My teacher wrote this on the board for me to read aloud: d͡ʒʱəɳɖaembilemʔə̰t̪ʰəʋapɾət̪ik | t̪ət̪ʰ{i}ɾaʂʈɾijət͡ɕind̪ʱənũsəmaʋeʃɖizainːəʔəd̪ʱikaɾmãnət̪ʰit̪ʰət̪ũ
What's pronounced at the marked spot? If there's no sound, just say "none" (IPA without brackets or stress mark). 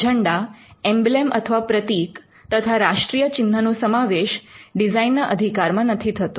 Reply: a